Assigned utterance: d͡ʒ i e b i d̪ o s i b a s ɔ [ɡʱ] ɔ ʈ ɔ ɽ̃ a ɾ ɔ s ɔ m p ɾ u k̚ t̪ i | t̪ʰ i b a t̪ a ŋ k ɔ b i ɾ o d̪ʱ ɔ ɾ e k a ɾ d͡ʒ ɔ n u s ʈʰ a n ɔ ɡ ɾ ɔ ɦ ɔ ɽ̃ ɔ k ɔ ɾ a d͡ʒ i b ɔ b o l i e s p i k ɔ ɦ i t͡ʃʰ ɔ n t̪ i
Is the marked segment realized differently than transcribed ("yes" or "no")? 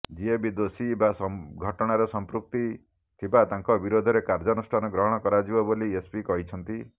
no